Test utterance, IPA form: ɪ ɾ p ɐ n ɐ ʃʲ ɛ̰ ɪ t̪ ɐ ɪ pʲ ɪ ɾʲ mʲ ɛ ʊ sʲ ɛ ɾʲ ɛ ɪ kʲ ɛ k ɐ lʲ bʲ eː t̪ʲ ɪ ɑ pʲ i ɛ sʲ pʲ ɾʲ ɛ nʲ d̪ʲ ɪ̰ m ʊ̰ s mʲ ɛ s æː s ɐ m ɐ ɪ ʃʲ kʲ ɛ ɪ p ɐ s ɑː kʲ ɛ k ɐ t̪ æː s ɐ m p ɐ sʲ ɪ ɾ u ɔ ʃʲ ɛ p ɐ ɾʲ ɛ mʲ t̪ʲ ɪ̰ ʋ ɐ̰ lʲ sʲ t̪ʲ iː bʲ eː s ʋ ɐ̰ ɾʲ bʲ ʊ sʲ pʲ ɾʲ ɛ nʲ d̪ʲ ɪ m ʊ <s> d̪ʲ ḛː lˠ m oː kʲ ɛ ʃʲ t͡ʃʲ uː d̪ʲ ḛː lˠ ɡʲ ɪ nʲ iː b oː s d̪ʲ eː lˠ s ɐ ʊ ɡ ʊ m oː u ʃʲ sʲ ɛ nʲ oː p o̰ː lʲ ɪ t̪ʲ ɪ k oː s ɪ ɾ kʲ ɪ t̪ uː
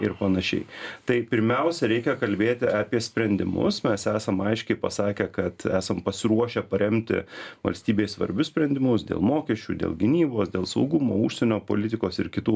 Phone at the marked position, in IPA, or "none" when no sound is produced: s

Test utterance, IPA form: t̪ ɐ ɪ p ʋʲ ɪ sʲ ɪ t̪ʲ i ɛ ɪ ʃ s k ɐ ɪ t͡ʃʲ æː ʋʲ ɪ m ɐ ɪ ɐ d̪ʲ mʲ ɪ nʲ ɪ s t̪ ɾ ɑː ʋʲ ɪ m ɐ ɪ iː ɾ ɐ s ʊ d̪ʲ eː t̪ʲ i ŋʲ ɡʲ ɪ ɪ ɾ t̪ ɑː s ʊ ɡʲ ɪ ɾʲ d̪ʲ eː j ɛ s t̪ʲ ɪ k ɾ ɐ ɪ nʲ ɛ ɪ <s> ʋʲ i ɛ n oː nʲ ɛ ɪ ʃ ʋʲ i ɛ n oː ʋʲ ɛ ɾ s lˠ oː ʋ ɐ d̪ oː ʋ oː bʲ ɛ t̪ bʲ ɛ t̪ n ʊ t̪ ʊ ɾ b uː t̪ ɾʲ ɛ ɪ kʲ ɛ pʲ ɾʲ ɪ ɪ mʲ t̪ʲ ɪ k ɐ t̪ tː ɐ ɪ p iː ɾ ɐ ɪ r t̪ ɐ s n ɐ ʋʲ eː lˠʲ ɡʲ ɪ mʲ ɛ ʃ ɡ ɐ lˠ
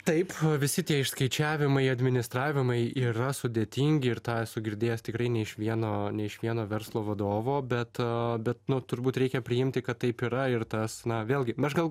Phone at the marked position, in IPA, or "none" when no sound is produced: ʃ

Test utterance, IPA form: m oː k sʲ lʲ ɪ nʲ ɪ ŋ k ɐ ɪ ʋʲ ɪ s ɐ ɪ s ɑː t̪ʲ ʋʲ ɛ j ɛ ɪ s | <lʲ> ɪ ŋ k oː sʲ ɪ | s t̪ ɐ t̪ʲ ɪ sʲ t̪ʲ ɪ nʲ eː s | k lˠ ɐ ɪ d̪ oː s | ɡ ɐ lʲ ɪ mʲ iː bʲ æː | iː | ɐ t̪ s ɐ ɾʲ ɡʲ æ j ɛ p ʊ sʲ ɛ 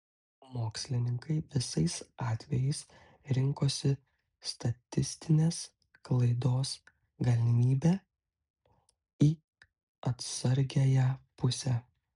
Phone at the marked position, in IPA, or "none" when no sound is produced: ɾʲ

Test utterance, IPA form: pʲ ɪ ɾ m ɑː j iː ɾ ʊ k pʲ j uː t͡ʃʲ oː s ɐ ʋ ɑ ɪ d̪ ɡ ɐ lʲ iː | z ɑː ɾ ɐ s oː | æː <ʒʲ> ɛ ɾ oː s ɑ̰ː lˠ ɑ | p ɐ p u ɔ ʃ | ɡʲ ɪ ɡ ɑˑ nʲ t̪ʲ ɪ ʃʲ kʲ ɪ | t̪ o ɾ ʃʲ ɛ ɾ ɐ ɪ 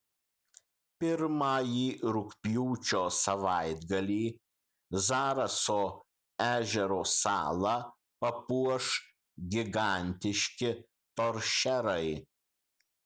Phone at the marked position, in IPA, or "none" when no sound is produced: ʒʲ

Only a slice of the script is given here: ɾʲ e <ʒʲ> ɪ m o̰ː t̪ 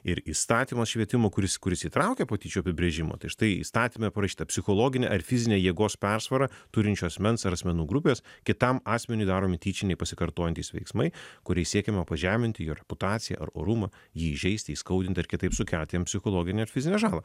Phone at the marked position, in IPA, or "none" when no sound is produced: ʒʲ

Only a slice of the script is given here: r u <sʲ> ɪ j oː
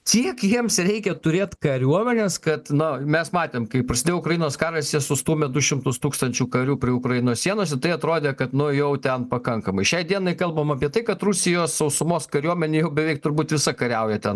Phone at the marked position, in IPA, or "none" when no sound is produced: sʲ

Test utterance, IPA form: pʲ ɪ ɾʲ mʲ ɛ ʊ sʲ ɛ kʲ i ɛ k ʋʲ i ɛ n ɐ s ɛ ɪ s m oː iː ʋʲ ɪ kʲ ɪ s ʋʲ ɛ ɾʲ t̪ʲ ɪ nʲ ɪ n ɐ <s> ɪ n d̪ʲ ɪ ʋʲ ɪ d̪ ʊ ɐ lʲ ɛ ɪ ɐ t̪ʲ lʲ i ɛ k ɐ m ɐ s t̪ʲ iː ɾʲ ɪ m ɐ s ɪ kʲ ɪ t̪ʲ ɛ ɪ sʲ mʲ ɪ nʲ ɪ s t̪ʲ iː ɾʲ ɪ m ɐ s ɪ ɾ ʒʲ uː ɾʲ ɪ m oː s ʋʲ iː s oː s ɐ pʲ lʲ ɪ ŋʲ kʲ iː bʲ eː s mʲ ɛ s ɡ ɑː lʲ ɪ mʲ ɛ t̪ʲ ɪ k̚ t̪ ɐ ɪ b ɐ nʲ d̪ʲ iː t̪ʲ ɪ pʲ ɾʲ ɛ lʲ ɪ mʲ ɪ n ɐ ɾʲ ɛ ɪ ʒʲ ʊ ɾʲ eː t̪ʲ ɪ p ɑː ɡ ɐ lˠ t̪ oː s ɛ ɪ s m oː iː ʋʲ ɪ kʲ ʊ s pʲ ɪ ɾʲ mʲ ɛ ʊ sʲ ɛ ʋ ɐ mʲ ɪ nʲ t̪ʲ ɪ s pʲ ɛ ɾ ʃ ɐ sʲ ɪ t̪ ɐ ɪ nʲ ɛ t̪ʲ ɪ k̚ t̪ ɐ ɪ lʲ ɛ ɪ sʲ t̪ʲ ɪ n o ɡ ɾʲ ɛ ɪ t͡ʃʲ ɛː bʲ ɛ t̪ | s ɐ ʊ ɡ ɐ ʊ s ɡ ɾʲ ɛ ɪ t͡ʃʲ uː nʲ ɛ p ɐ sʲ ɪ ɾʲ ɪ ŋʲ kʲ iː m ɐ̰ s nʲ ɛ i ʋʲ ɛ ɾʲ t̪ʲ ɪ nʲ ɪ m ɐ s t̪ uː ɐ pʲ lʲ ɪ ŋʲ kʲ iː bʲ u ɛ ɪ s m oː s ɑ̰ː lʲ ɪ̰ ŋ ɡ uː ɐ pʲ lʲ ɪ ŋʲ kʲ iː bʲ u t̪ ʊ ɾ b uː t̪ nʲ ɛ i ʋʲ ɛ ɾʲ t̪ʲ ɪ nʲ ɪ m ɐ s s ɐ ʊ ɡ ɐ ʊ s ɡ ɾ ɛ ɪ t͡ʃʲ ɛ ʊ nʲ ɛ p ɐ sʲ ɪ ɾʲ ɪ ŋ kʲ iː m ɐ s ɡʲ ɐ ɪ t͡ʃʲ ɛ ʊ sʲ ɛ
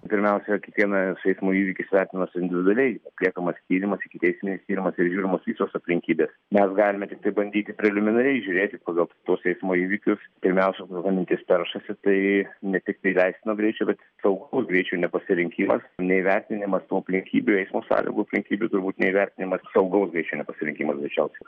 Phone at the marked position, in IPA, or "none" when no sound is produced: s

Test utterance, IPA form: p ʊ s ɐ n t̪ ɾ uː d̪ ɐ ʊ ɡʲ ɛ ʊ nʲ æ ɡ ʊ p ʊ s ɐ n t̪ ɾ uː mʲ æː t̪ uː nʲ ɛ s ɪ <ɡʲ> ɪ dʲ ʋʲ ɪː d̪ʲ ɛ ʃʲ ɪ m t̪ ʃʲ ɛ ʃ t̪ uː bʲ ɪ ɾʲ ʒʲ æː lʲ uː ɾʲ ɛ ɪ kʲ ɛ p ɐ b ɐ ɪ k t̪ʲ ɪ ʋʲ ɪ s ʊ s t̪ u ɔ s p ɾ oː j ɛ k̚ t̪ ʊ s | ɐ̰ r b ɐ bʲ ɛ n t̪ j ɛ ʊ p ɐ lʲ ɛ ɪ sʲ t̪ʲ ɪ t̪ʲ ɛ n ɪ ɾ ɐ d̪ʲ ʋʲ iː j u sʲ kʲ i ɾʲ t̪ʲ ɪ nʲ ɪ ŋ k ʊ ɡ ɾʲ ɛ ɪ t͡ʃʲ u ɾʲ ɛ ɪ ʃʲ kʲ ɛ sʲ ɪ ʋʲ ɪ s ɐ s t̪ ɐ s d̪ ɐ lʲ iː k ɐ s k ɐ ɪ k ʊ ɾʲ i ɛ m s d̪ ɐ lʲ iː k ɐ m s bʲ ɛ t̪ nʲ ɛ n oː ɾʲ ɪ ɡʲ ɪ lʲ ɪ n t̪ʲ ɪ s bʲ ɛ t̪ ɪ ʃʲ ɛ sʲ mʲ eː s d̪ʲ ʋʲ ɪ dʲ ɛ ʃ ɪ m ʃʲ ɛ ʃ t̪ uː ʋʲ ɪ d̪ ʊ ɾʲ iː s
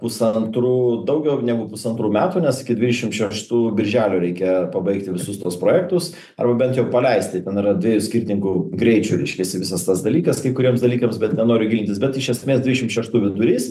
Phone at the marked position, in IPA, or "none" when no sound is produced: kʲ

